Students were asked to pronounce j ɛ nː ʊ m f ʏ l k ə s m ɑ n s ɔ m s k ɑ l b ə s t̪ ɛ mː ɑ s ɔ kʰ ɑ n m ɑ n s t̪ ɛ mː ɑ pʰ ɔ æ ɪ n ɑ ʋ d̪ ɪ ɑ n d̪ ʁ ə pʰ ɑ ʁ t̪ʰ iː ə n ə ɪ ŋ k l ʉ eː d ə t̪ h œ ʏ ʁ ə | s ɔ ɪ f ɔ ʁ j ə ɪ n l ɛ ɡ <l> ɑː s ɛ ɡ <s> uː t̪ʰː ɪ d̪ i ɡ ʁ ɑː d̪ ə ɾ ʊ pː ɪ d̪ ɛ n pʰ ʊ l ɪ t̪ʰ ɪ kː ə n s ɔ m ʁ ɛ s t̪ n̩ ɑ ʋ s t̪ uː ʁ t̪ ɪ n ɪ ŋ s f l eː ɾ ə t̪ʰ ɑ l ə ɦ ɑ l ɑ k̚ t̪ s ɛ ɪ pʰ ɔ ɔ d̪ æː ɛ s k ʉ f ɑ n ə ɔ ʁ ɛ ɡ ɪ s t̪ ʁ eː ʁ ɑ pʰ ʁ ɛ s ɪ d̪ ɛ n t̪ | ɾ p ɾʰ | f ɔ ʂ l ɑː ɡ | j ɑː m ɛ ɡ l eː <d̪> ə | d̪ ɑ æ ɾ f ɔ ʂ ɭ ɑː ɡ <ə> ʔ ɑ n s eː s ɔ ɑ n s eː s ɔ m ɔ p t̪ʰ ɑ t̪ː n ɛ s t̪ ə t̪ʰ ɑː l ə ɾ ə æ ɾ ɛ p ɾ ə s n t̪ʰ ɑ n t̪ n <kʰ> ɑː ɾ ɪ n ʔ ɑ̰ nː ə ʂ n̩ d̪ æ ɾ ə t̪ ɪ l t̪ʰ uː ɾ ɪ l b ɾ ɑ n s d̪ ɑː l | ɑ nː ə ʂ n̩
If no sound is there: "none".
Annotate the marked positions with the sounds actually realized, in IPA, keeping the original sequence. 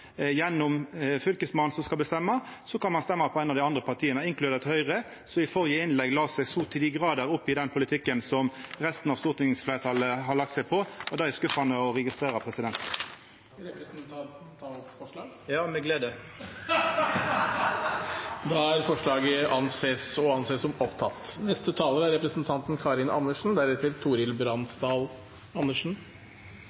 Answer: l, s, d̪, ə, kʰ

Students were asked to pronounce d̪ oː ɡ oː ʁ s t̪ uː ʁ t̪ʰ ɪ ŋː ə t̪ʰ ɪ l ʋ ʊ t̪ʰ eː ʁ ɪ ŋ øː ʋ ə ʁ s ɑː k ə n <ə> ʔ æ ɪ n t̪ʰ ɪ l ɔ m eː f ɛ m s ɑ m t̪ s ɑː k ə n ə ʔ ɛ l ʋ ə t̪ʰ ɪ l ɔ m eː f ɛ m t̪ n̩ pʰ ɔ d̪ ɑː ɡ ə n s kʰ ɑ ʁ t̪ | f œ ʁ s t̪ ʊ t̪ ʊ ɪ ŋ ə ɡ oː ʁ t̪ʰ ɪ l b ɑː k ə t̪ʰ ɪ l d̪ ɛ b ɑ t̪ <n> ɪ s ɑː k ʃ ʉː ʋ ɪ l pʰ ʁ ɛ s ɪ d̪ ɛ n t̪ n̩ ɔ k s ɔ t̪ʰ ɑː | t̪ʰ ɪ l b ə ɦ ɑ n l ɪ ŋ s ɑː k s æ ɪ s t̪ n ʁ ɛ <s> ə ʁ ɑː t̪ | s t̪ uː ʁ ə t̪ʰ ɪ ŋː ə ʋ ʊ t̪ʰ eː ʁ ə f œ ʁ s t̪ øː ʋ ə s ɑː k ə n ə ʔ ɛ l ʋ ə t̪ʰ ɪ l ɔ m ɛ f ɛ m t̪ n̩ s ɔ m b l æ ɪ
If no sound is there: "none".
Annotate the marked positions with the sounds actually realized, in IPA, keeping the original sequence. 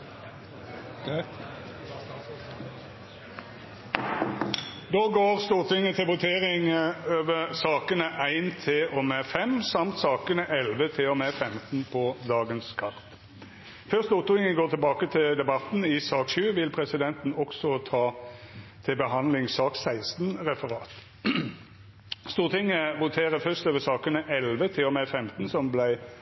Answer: ə, n, f

